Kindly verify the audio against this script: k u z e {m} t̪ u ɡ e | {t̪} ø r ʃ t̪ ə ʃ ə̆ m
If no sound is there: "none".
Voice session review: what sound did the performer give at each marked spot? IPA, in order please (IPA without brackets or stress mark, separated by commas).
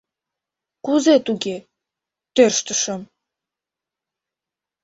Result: none, t̪